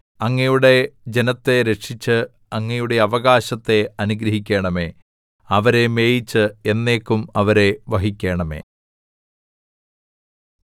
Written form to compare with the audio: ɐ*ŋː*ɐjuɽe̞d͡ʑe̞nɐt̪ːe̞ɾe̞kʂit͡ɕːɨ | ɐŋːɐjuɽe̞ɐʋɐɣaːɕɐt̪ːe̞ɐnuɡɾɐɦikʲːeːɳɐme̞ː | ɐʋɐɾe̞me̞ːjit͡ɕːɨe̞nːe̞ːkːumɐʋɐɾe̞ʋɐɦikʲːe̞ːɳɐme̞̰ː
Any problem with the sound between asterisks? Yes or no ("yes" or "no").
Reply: no